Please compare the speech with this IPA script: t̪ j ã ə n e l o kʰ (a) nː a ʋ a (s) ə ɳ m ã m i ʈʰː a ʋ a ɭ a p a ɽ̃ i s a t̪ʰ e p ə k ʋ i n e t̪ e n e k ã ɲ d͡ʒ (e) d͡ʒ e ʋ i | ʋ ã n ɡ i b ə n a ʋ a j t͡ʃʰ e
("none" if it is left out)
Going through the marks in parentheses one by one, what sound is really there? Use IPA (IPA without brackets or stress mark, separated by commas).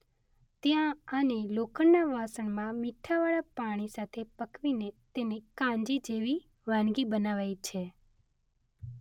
ə, s, i